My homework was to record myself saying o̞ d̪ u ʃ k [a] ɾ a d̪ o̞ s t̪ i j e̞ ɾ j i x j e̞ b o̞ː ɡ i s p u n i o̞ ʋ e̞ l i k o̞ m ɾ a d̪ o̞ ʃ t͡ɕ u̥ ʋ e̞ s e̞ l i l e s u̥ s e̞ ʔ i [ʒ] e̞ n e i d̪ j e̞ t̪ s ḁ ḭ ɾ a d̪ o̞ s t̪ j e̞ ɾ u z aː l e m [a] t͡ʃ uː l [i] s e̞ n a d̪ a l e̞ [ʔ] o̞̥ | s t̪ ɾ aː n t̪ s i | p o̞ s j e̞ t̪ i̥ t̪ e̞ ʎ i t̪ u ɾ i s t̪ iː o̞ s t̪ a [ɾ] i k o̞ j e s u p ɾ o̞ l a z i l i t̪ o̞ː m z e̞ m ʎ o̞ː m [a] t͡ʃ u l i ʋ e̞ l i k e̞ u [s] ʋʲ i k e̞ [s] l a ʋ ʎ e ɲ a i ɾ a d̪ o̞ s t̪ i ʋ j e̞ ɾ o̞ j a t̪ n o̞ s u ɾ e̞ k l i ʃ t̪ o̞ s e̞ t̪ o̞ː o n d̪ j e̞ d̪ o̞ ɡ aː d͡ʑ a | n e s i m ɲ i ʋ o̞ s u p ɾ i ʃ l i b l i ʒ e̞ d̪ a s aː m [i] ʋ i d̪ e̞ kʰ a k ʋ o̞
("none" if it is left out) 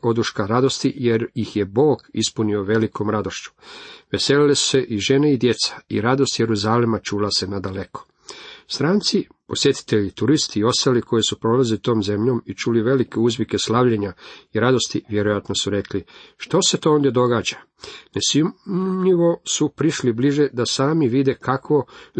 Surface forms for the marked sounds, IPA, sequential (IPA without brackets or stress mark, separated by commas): a, ʒ, a, a, k, l, i, z, s, i